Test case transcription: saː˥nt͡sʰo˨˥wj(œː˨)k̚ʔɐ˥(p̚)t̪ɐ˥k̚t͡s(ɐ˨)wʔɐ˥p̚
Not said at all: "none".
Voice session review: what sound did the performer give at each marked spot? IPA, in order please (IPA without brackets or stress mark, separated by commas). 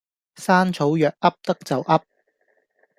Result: œː˨, p̚, ɐ˨